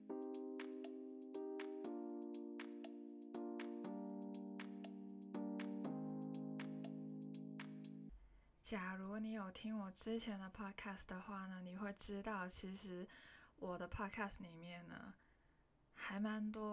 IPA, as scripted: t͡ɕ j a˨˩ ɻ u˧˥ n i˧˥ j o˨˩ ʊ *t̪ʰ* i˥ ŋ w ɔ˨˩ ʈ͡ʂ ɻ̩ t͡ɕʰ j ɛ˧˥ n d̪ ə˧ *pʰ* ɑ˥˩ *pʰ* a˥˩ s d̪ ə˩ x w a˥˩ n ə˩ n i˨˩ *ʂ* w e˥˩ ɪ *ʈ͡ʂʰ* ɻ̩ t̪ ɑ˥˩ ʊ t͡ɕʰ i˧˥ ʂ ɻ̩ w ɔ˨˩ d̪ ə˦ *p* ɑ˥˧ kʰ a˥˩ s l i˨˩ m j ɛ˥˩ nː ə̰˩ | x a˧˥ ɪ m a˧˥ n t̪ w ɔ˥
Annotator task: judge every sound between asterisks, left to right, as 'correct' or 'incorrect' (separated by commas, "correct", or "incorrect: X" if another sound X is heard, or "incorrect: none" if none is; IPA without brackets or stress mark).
correct, correct, incorrect: kʰ, incorrect: x, incorrect: ʈ͡ʂ, incorrect: pʰ